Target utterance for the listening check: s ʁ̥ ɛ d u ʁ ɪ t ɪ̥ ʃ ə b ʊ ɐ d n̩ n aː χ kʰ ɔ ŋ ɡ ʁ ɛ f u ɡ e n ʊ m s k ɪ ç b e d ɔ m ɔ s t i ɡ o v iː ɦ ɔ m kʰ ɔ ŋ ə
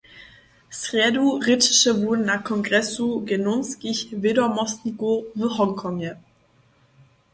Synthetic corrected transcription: s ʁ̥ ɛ d u ʁ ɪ t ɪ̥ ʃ ə v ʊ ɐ d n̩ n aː χ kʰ ɔ ŋ ɡ ʁ ɛ s u ɡ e n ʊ n s k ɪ ç v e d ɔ m ɔ s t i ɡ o v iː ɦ ɔ ŋ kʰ ɔ ŋ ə